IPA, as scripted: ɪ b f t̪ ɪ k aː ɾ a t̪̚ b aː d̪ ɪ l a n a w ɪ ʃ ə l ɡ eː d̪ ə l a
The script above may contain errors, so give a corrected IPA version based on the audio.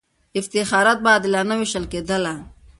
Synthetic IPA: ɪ f t̪ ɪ x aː ɾ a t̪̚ b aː d̪ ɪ l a n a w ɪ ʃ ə l k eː d̪ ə l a